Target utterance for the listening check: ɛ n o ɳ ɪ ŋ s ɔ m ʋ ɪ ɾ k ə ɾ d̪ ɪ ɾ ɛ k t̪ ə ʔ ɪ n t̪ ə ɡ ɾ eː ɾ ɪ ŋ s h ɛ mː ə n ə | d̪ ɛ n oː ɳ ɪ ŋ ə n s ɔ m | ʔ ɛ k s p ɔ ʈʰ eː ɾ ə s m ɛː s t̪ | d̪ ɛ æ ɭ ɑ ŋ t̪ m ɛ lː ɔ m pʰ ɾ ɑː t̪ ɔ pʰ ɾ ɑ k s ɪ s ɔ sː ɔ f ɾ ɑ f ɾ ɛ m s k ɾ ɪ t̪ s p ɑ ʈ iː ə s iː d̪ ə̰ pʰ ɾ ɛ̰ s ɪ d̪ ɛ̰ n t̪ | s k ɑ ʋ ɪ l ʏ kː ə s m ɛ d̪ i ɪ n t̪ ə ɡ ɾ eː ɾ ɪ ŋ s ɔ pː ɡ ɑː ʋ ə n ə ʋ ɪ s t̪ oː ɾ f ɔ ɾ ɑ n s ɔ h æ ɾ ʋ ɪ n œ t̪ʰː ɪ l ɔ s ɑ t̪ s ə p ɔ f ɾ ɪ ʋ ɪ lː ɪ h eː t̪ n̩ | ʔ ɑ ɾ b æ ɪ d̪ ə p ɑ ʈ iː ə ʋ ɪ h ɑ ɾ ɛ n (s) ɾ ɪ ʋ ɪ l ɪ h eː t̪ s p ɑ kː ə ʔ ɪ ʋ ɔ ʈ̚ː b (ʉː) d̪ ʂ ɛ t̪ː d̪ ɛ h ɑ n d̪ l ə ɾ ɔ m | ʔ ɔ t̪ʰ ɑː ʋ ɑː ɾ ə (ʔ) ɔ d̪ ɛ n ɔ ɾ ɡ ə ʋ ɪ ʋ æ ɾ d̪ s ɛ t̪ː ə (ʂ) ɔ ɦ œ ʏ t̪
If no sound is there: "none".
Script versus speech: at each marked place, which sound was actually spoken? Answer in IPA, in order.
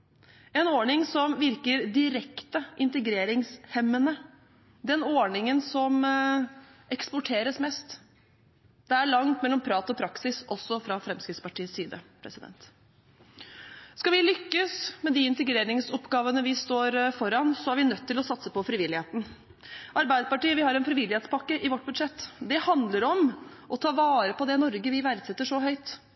f, ʉ, p, ʂ

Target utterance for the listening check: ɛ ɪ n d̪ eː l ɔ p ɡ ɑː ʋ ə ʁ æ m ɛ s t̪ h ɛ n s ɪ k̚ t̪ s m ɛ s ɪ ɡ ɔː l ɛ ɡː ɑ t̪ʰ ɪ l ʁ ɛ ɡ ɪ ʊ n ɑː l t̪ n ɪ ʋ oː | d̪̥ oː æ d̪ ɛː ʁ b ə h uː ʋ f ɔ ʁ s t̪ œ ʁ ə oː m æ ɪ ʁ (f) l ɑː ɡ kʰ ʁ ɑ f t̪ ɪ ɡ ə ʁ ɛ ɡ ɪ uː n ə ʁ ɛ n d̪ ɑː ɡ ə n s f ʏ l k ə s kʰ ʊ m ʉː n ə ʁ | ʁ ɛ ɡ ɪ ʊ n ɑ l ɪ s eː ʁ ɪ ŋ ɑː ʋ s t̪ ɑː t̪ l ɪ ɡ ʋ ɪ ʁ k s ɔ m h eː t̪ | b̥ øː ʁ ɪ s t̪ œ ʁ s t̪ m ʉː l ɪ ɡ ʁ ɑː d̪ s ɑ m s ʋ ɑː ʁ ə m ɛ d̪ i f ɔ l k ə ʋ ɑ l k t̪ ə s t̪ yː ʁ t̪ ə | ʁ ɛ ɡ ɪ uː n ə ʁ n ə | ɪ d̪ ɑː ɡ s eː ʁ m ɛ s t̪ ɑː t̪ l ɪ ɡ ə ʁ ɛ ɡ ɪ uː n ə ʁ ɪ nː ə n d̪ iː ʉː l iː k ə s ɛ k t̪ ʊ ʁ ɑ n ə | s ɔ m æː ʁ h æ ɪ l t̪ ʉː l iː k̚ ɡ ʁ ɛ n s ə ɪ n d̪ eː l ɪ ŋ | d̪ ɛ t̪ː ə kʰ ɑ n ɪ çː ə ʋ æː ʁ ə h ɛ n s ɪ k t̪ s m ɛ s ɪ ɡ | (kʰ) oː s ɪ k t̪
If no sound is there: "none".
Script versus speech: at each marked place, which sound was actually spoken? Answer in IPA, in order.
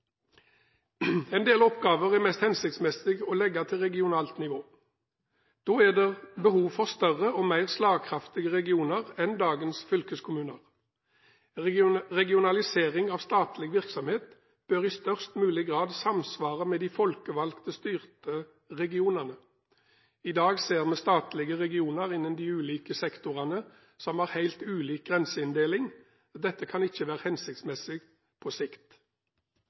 s, pʰ

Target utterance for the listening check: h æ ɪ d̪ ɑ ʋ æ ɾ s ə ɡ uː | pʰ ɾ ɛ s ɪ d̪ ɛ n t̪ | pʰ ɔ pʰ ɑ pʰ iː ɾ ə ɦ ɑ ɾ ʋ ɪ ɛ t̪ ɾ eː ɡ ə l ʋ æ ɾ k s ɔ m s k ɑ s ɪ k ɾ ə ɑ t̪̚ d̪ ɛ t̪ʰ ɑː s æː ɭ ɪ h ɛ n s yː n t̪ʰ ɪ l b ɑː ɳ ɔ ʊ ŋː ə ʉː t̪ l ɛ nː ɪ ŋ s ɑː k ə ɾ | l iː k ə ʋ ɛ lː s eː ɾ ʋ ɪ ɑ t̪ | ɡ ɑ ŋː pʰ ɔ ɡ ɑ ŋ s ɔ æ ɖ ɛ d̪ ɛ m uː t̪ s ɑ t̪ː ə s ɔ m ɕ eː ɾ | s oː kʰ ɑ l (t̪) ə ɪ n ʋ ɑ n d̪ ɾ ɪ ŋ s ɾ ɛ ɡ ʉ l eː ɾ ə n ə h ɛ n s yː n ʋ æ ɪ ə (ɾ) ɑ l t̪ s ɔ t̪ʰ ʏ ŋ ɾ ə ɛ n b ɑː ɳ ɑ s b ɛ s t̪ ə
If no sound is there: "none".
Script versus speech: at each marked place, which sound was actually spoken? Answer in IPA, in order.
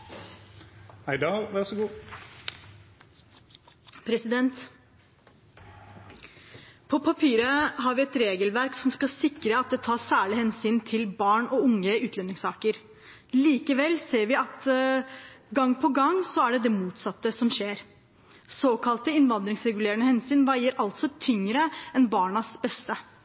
t̪, ɾ

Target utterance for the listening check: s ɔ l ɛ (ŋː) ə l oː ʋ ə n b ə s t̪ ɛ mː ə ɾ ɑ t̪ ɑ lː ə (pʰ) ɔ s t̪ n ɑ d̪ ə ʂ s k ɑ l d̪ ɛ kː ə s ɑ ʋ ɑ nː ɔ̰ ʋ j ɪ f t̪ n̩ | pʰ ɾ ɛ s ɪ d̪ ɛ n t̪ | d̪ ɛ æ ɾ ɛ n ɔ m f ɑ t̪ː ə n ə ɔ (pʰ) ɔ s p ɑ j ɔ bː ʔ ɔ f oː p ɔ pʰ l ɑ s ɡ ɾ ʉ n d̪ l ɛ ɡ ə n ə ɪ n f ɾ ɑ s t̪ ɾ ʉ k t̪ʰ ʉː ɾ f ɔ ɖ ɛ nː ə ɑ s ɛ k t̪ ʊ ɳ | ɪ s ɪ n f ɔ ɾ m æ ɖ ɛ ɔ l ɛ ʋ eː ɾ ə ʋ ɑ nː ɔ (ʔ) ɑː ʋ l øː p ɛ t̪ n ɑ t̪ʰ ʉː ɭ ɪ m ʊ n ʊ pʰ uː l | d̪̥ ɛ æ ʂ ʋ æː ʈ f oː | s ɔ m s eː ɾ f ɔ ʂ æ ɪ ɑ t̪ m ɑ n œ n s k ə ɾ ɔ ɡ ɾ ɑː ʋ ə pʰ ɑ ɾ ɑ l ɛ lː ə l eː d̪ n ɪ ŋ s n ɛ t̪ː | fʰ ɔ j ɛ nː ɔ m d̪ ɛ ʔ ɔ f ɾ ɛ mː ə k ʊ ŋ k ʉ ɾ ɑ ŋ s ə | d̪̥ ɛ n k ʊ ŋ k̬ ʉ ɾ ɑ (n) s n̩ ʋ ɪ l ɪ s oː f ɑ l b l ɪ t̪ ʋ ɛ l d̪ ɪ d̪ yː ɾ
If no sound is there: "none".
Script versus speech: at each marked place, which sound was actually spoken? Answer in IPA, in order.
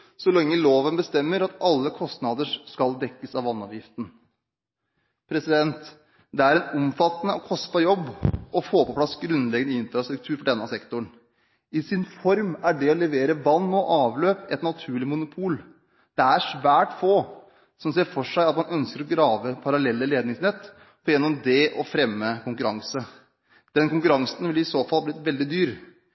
ŋː, kʰ, kʰ, ʔ, ŋ

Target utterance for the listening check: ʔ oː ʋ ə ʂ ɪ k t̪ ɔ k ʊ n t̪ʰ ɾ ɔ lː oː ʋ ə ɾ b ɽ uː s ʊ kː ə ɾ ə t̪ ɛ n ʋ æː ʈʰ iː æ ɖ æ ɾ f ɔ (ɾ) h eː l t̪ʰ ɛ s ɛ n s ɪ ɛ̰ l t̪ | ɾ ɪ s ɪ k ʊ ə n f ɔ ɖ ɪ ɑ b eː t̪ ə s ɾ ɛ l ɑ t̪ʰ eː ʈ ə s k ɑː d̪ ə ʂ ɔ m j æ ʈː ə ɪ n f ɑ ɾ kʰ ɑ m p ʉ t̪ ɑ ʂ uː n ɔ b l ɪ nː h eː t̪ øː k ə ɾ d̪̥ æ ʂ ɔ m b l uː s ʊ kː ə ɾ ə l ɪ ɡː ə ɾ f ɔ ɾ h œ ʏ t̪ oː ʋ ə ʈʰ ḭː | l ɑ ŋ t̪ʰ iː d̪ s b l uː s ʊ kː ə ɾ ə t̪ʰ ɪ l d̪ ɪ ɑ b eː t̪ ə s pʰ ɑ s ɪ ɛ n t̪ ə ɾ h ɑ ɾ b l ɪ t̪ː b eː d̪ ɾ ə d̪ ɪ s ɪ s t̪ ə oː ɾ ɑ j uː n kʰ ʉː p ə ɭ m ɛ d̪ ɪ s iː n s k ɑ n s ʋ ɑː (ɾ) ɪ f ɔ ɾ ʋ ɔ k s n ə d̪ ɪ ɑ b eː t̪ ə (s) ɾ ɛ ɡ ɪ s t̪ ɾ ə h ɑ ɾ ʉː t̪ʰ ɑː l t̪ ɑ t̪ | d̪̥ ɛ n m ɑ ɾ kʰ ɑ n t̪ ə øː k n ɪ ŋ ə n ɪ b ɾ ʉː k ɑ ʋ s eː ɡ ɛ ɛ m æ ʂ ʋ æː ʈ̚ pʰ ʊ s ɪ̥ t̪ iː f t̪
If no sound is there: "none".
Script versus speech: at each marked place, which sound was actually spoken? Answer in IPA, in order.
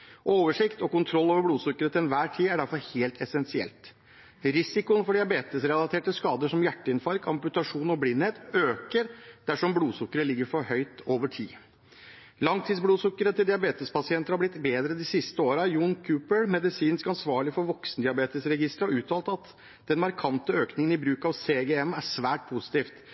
ɾ, ɭ, s

